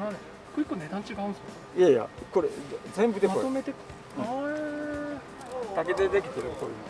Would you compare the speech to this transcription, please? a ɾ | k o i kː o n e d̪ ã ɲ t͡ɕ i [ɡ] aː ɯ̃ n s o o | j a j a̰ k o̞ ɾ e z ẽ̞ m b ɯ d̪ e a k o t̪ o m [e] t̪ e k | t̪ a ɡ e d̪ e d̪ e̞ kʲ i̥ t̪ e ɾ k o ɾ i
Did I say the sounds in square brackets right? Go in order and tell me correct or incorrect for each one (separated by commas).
correct, correct